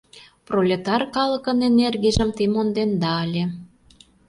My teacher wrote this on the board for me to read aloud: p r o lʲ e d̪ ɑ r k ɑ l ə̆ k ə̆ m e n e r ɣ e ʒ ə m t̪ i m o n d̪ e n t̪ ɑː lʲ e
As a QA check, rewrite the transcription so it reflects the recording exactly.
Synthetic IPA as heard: p r o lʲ e t̪ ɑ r k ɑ l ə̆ k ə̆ n e n e r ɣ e ʒ ə m t̪ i m o n d̪ e n d̪ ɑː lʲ e